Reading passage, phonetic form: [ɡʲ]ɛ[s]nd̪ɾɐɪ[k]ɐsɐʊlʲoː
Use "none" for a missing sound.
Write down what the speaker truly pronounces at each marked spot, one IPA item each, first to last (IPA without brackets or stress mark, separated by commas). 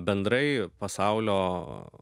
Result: bʲ, none, p